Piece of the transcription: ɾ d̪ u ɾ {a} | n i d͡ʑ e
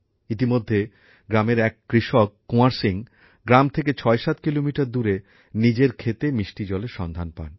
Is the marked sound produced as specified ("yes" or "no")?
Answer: no